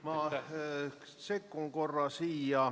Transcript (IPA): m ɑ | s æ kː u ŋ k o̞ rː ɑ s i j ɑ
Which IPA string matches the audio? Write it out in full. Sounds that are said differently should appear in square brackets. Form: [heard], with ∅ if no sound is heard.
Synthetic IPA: m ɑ | s [e] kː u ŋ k o̞ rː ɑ s [iː] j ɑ